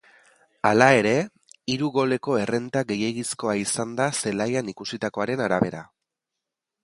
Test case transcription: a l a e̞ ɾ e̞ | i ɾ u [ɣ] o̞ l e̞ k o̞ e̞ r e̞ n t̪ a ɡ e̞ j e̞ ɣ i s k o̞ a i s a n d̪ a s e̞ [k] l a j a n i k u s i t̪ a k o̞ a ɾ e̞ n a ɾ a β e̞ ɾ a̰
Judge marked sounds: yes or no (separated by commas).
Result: yes, no